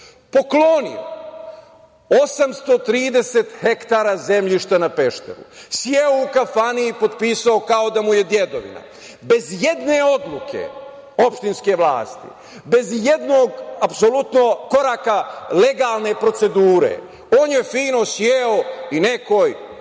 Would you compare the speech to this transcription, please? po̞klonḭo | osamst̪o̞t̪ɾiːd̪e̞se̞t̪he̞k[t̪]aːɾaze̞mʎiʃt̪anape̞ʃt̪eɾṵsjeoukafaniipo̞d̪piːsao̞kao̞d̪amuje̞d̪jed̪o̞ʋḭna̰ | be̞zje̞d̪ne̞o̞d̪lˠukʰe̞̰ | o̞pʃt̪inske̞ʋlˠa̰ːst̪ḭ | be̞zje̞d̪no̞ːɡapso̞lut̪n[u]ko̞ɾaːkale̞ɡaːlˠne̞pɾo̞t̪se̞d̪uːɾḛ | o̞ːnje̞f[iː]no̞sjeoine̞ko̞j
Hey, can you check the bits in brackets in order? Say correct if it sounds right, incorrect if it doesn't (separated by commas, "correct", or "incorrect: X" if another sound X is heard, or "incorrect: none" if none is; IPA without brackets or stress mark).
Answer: correct, incorrect: o, correct